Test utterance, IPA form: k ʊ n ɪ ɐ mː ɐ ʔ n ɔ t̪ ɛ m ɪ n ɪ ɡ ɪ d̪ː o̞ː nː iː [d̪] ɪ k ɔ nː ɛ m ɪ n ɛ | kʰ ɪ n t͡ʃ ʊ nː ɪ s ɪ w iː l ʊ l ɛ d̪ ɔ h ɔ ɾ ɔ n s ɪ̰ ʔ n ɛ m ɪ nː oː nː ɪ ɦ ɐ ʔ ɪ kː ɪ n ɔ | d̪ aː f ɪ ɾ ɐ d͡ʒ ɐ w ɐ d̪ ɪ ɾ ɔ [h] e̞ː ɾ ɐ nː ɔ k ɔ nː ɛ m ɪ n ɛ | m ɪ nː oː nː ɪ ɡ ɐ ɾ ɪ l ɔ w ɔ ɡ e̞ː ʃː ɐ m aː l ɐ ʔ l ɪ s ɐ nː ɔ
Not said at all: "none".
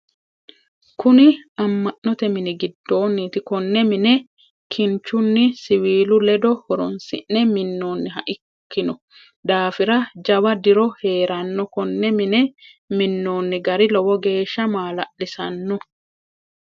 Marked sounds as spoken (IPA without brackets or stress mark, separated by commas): t̪, h